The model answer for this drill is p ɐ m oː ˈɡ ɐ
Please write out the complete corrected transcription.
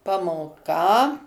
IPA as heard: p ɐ m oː ˈk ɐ